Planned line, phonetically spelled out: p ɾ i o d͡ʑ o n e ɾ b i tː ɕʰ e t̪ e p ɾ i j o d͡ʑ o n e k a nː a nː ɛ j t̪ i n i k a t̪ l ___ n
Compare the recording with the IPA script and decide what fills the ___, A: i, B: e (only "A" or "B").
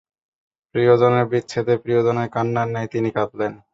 B